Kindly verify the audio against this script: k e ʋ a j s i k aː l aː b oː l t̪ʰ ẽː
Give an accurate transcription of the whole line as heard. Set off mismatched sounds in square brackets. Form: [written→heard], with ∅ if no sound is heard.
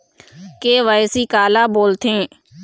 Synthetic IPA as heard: k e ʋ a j s i k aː l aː b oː l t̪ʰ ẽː

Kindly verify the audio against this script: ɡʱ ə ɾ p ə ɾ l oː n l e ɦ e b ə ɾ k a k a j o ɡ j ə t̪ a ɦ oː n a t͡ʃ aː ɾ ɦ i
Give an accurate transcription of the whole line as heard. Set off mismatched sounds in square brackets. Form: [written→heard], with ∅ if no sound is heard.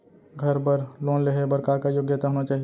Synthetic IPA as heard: ɡʱ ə ɾ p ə ɾ l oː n l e ɦ e b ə ɾ k a k a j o ɡ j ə t̪ a ɦ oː n a t͡ʃ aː [ɾ→∅] ɦ i

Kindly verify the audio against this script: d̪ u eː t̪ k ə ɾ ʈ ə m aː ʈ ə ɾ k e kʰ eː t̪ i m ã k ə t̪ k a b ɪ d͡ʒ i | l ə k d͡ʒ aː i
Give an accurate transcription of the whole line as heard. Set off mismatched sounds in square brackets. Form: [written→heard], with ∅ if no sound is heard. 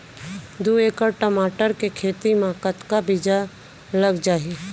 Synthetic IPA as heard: d̪ u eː [t̪→∅] k ə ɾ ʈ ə m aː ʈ ə ɾ k e kʰ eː t̪ i m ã k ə t̪ k a b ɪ d͡ʒ [i→a] | l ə [k→ɡ] d͡ʒ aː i

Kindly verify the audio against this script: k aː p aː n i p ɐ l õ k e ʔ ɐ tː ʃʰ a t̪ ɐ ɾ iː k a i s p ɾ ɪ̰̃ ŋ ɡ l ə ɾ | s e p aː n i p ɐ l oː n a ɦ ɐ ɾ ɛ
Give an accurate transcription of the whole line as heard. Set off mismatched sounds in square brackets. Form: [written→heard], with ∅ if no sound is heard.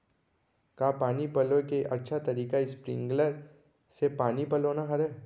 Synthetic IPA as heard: k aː p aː n i p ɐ l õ k e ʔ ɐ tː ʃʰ a t̪ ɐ ɾ iː k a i s p ɾ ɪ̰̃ ŋ ɡ l ə ɾ | s e p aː n i p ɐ l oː n a ɦ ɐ ɾ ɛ

